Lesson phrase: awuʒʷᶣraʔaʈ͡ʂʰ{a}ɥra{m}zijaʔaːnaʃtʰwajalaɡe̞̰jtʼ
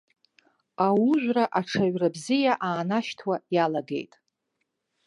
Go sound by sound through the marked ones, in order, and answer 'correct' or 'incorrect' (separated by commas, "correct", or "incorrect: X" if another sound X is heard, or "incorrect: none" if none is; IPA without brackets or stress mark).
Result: correct, incorrect: b